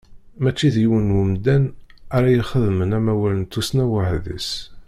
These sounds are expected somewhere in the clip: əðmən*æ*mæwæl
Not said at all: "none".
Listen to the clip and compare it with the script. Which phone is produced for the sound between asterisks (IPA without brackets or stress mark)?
æ